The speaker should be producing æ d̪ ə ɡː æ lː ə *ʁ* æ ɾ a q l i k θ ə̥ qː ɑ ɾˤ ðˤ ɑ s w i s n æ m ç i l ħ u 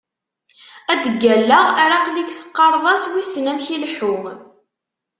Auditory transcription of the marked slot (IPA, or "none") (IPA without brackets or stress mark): ʁ